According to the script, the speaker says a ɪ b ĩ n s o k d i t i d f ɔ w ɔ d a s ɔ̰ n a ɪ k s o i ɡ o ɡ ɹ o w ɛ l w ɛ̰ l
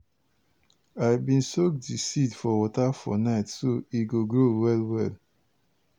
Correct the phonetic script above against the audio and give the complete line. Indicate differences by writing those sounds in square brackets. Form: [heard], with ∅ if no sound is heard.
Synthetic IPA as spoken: a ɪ b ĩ n s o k d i [s] i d f ɔ w ɔ [t] a [f] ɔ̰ n a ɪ [t] s o i ɡ o ɡ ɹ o w ɛ l w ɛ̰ l